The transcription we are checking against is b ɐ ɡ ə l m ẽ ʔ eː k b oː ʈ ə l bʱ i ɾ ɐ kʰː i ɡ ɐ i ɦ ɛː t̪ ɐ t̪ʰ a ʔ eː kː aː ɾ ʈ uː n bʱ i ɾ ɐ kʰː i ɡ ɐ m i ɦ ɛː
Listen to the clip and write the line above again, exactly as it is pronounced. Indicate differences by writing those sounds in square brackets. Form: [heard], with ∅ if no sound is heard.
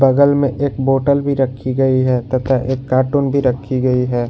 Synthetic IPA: b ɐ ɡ ə l m ẽ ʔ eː k b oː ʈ ə l bʱ i ɾ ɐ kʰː i ɡ ɐ i ɦ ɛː t̪ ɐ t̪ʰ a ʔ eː kː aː ɾ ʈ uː n bʱ i ɾ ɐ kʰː i ɡ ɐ [∅] i ɦ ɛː